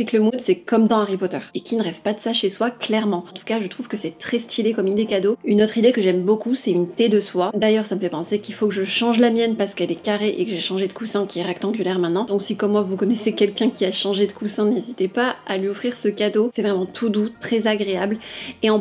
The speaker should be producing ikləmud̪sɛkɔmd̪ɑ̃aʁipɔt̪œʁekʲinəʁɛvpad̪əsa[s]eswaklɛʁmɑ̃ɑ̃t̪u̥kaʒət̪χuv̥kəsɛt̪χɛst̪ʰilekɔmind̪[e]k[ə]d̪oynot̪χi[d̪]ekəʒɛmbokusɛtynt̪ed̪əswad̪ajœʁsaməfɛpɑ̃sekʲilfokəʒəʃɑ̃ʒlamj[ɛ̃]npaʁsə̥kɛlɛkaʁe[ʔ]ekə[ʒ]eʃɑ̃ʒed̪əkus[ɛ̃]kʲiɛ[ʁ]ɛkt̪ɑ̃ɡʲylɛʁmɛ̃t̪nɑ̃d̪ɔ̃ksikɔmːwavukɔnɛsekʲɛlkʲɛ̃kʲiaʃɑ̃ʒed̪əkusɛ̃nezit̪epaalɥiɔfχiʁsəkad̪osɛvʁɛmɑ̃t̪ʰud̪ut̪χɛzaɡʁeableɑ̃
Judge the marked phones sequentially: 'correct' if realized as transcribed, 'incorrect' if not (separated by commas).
incorrect, correct, incorrect, correct, incorrect, correct, correct, correct, correct